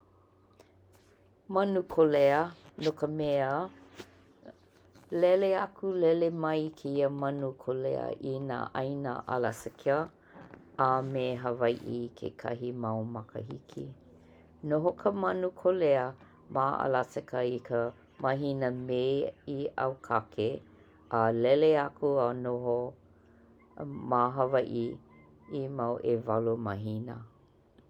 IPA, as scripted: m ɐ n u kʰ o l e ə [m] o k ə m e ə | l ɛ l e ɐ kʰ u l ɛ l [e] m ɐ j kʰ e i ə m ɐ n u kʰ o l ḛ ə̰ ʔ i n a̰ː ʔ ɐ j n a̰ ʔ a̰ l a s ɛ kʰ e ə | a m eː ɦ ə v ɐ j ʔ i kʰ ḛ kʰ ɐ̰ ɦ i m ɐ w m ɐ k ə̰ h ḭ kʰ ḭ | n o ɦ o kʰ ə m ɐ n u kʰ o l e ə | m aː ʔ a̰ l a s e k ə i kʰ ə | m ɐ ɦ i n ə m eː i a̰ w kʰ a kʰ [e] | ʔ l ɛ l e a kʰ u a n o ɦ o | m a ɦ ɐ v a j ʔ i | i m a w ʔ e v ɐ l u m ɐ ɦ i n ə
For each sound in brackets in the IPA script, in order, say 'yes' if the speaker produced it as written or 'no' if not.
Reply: no, yes, yes

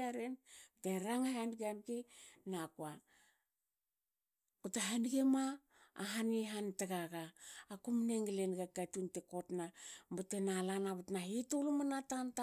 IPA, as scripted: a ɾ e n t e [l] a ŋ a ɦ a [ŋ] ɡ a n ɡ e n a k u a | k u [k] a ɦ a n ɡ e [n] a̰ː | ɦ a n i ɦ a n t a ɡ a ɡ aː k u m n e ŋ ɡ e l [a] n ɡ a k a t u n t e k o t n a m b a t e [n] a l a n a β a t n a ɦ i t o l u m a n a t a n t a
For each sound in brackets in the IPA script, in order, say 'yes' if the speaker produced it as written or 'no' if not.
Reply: no, no, no, no, no, yes

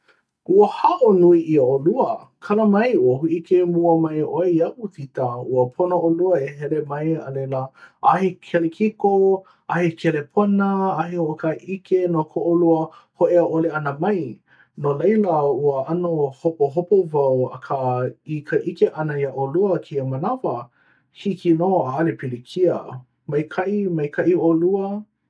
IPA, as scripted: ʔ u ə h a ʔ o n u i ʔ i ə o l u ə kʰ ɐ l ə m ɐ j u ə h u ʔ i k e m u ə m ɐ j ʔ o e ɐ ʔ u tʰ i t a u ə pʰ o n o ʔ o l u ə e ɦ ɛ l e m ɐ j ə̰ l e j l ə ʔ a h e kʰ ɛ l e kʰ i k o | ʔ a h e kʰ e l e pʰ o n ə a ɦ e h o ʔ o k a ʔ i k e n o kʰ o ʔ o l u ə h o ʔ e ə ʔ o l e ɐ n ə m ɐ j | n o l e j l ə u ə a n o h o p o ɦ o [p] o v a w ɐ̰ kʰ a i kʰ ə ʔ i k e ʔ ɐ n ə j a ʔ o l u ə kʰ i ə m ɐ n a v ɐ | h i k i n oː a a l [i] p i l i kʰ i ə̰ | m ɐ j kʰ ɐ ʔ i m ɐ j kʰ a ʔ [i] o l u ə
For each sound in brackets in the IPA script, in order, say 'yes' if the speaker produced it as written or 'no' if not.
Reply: yes, no, yes

